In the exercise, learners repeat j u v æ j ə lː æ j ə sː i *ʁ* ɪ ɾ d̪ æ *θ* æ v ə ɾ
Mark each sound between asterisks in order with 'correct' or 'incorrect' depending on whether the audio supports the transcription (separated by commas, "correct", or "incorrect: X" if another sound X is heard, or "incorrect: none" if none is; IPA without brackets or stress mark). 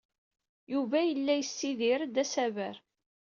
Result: incorrect: ð, incorrect: s